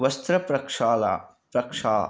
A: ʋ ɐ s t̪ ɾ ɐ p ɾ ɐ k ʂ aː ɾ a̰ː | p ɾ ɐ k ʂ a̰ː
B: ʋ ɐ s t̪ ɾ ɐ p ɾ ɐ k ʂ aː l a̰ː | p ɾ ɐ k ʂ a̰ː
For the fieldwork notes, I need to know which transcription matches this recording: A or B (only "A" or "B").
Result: B